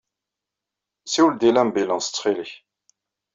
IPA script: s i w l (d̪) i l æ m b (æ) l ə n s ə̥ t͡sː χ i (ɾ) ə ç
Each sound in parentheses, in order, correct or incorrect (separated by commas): correct, incorrect, incorrect